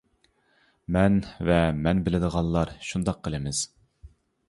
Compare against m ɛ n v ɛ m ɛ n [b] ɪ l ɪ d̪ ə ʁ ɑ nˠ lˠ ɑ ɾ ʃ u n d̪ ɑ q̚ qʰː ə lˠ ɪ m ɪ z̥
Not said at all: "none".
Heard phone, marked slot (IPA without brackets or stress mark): b